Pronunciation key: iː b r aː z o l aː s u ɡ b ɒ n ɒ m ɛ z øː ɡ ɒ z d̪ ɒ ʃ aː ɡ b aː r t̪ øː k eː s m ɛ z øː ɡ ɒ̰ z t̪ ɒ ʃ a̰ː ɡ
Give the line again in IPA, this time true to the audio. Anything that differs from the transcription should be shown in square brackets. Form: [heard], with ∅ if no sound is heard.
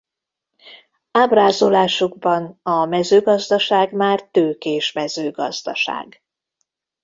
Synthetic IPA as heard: [aː] b r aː z o l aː [ʃ] u ɡ b ɒ n ɒ m ɛ z øː ɡ ɒ z d̪ ɒ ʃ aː ɡ [m] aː r t̪ øː k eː [ʃ] m ɛ z øː ɡ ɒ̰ z [d̪] ɒ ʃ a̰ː ɡ